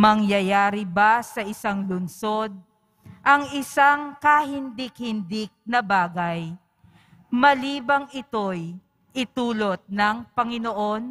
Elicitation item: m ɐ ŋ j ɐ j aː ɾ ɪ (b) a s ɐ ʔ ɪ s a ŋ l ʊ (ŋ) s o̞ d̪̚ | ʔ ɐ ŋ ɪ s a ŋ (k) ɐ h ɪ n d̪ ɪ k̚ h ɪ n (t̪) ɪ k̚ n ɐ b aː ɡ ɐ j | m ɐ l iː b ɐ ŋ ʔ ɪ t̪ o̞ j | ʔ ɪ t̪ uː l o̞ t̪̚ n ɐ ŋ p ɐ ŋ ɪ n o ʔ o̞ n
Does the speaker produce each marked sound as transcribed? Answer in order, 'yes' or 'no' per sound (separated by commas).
yes, no, yes, no